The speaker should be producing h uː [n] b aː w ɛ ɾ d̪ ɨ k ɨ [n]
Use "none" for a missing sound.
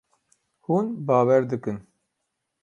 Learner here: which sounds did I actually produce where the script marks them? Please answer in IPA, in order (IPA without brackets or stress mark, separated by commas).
n, n